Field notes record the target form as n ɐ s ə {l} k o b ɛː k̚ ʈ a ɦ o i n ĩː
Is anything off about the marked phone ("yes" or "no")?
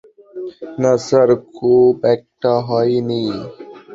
yes